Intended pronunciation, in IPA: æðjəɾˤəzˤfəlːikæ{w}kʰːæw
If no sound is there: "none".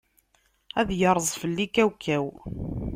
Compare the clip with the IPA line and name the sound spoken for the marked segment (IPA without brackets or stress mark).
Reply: w